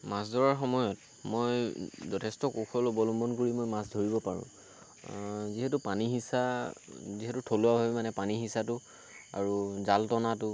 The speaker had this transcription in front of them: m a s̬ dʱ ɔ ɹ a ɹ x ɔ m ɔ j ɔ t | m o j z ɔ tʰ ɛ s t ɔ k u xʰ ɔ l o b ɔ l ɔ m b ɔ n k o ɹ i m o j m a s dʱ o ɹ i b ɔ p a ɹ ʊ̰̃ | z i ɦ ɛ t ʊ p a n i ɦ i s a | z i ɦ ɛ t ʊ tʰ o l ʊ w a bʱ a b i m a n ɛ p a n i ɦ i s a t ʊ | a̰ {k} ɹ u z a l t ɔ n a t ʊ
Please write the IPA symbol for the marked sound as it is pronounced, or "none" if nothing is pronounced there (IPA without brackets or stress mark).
none